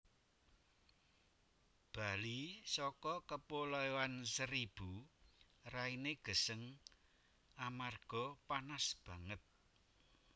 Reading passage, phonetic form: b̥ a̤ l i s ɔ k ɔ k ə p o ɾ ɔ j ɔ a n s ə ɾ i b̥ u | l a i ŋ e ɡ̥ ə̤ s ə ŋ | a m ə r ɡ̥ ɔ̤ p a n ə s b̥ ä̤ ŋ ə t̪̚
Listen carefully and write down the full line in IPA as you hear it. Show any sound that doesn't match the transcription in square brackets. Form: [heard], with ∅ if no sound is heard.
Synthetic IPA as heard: b̥ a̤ l i s ɔ k ɔ k ə p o [l] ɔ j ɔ a n s ə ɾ i b̥ u | [r] a i [n] e ɡ̥ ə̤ s ə ŋ | a m [a] r ɡ̥ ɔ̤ p a n [a] s b̥ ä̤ ŋ ə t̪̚